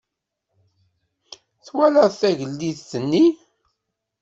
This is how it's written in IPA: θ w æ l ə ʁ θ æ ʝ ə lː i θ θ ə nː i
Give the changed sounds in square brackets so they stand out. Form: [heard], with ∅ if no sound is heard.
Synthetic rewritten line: θ w æ l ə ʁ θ æ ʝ ə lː i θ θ ə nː i

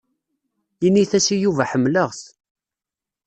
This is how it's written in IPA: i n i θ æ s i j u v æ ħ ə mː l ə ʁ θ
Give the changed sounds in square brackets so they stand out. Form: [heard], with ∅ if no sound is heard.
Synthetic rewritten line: i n i θ æ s i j u v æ ħ ə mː l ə ʁ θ

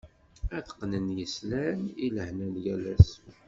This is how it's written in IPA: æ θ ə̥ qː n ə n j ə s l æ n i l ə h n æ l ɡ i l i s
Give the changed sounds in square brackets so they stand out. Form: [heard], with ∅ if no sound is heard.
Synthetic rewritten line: æ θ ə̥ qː n ə n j ə s l æ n i l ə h n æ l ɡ [æ] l [æ] s

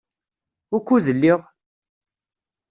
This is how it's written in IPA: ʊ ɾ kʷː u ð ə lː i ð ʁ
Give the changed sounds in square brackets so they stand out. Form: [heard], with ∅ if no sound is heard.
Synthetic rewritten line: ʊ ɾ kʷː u ð ə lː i [∅] ʁ

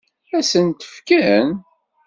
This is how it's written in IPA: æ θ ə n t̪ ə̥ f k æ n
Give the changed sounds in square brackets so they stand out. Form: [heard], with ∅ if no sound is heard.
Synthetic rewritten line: æ [s] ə n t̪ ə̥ f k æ n

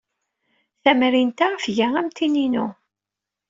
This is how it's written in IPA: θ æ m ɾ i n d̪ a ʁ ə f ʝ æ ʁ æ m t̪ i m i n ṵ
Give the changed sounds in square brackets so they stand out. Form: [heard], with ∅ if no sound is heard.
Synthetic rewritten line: θ æ m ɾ i n [t̪] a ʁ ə f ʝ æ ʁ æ m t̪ i [n] i n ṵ

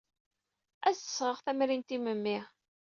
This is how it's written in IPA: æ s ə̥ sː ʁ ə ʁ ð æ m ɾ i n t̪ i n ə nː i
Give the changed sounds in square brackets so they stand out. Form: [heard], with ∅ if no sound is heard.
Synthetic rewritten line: æ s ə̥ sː ʁ ə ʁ [θ] æ m ɾ i n t̪ i [m] ə [mː] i

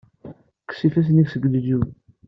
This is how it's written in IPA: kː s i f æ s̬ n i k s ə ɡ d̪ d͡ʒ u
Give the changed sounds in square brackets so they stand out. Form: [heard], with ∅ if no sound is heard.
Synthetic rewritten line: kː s i f æ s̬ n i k s ə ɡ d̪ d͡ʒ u

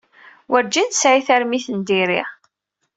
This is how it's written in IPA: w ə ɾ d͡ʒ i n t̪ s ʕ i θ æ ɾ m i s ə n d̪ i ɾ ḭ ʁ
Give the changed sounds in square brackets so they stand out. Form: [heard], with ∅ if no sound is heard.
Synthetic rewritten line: w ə ɾ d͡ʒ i n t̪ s ʕ i θ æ ɾ m i [θ] ə n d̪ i ɾ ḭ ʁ

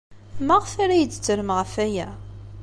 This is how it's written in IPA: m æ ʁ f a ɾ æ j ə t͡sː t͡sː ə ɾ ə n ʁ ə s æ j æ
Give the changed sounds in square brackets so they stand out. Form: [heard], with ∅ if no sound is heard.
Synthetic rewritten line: m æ ʁ f a ɾ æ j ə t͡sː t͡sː ə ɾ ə [m] ʁ ə [f] æ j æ

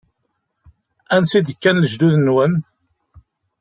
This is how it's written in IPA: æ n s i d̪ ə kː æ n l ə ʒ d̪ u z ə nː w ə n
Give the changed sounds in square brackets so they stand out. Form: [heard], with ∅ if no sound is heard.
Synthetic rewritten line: æ n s i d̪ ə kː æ n l ə ʒ d̪ u [ð] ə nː w ə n

